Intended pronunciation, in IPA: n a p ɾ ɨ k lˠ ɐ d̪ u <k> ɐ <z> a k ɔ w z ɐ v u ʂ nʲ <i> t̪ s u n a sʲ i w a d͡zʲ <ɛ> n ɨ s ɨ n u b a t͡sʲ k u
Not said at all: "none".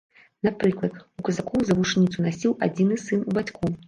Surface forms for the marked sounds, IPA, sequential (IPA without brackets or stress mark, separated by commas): k, z, i, i